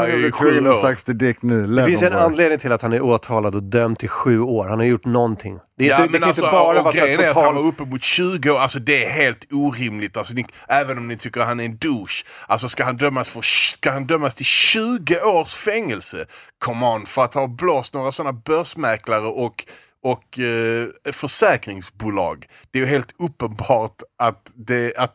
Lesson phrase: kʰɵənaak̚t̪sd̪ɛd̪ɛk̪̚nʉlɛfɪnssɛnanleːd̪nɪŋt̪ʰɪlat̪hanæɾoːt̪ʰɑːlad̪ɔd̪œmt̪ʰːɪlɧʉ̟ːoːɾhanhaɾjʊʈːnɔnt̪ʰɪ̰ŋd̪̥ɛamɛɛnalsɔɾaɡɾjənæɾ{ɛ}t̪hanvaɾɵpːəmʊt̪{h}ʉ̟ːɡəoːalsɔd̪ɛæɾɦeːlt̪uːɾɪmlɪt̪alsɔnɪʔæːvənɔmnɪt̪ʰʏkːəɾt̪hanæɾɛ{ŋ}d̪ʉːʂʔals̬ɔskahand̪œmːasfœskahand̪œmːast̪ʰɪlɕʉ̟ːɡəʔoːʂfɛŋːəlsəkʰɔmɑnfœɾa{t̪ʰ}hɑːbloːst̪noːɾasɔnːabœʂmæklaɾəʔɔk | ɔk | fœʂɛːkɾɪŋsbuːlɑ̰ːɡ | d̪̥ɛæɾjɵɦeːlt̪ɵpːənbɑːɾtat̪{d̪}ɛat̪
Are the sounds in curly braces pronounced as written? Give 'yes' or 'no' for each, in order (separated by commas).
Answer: no, no, no, no, yes